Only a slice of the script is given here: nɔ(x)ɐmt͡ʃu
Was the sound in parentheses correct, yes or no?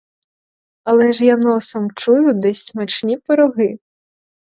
no